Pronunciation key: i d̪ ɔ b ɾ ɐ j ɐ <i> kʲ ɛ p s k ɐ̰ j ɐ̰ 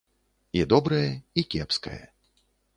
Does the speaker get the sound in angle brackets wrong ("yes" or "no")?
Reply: no